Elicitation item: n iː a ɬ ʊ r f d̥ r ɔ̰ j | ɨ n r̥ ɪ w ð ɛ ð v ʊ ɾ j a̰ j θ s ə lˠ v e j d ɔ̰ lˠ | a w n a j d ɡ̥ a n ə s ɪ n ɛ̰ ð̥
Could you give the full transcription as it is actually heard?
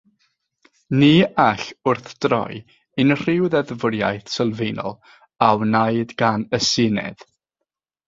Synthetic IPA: n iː a ɬ ʊ r θ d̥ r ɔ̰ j | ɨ n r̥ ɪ w ð ɛ ð v ʊ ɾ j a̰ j θ s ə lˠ v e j n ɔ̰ lˠ | a w n a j d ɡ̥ a n ə s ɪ n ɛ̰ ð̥